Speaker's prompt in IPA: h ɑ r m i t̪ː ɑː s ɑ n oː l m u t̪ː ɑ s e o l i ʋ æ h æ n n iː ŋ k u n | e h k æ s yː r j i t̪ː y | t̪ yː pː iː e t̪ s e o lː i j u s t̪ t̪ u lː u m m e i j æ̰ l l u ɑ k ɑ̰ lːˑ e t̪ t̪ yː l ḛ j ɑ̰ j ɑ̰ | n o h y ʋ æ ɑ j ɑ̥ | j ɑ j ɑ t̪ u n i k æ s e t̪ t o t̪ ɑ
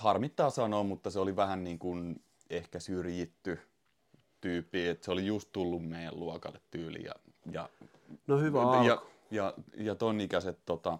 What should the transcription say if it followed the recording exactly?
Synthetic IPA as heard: h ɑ r m i t̪ː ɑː s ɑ n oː m u t̪ː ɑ s e o l i ʋ æ h æ n n iː ŋ k u n | e h k æ s y r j i t̪ː y | t̪ yː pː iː e t̪ s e o l i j u s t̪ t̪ u lː u m m e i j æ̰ l l u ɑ k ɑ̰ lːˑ e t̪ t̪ yː l ḭ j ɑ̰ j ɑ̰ | n o h y ʋ æ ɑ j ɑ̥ | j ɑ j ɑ t̪ o n i k æ s e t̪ t o t̪ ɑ